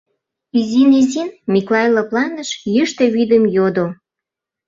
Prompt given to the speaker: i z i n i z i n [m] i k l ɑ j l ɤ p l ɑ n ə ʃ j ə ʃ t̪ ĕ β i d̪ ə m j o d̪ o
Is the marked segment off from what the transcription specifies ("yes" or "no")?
no